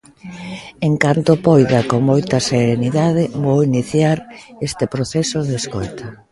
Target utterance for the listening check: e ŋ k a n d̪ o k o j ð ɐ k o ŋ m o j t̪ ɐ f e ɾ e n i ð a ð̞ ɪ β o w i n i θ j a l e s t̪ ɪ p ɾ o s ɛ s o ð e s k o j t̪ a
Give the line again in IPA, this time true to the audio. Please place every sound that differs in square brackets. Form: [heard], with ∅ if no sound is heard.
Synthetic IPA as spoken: e ŋ k a n [t̪] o [p] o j ð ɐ k o ŋ m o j t̪ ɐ [s] e ɾ e n i ð a ð̞ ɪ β o w i n i θ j a [ɾ] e s t̪ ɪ p ɾ o [θ] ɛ s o ð e s k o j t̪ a